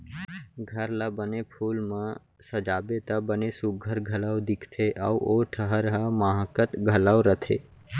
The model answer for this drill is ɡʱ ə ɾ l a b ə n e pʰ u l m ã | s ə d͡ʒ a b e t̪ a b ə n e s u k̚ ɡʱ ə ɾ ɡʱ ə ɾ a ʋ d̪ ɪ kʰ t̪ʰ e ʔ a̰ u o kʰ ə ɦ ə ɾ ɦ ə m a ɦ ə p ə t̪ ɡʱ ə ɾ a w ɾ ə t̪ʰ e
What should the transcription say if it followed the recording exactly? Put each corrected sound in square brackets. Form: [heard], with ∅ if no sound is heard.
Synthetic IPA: ɡʱ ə ɾ l a b ə n e pʰ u l m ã | s ə d͡ʒ a b e t̪ a b ə n e s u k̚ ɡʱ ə ɾ ɡʱ ə [l] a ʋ d̪ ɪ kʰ t̪ʰ e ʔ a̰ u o [ʈʰ] ə ɦ ə ɾ ɦ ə m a ɦ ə [k] ə t̪ ɡʱ ə [l] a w ɾ ə t̪ʰ e